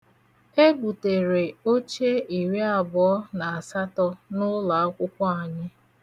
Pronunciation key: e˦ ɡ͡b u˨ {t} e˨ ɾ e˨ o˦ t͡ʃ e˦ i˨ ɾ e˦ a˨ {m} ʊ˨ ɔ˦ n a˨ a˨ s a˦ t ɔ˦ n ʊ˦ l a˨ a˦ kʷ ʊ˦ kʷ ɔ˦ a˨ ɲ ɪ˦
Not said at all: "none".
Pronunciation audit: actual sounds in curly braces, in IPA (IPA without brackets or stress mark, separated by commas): t, b